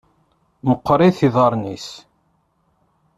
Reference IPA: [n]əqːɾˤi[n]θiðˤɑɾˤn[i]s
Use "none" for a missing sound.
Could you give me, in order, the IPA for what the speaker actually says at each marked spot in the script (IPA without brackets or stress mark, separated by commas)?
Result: m, none, i